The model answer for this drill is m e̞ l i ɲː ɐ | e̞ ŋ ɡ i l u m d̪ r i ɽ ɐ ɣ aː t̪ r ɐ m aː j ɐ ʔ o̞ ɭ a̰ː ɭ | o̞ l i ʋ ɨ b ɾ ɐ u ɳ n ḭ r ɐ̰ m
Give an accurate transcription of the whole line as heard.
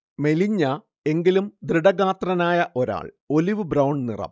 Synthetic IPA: m e̞ l i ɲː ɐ | e̞ ŋ ɡ i l u m d̪ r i ɽ ɐ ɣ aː t̪ r ɐ n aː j ɐ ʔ o̞ ɾ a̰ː ɭ | o̞ l i ʋ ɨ b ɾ ɐ w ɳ n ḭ r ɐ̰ m